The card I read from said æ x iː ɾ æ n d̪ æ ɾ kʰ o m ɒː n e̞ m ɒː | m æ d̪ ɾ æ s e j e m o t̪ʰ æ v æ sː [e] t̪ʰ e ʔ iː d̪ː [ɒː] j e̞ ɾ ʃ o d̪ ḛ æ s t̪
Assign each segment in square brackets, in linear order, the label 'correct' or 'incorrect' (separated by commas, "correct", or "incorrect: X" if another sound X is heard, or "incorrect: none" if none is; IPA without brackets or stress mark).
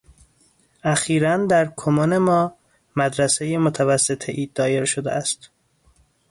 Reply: correct, correct